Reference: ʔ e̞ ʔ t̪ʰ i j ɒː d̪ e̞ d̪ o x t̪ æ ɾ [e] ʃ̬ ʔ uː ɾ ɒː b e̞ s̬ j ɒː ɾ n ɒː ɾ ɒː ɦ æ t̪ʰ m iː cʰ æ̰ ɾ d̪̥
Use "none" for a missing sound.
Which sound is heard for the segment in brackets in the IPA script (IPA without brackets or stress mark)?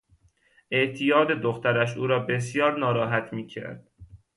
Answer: æ